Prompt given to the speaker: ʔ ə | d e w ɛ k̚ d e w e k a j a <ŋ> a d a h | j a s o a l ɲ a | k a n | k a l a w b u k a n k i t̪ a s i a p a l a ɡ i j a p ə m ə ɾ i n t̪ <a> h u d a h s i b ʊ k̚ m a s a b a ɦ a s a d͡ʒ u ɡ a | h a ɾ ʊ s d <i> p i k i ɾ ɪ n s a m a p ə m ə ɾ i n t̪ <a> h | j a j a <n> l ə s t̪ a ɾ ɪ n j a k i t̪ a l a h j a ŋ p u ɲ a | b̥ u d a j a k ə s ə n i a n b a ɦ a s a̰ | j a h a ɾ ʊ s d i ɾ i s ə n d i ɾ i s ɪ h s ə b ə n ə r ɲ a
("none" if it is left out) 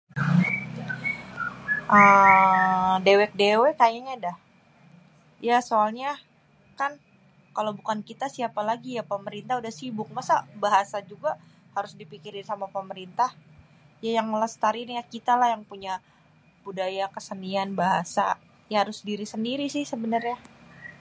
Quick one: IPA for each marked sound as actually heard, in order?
ɲ, a, i, a, ŋ

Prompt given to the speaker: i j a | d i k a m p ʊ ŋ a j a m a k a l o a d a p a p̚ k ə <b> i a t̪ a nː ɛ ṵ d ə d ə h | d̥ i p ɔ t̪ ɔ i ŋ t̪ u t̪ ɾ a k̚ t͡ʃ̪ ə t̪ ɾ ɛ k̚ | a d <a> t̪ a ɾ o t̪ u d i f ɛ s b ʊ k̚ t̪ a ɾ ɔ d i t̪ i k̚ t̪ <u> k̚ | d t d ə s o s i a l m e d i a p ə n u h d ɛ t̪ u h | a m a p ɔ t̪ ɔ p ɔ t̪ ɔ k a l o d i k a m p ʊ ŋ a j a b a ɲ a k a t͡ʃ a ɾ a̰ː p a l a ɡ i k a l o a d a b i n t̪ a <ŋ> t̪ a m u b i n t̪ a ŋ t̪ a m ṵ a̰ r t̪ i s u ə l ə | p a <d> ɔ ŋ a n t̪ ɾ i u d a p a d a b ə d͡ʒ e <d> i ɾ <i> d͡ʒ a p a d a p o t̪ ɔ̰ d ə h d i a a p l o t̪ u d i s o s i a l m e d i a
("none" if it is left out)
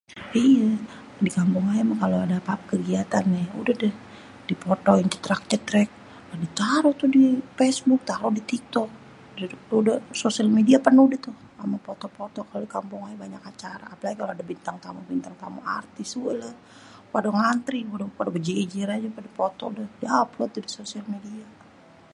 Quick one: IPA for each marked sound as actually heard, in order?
ɡ, i, ɔ, ŋ, d, d͡ʒ, a

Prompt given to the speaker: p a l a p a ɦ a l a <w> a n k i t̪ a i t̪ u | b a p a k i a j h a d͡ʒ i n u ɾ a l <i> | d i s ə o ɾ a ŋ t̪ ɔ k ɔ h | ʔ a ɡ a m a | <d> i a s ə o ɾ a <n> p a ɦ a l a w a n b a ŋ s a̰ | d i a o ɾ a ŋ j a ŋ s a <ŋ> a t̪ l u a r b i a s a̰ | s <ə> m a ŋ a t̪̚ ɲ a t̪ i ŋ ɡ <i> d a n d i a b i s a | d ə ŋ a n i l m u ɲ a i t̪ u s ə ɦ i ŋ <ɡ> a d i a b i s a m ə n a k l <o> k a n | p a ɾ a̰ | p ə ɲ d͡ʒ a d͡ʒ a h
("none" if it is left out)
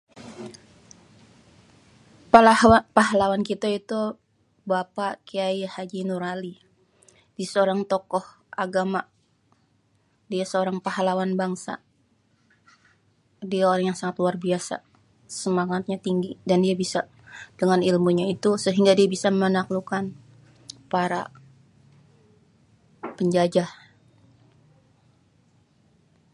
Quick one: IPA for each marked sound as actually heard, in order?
w, i, d, ŋ, ŋ, ə, i, ɡ, u

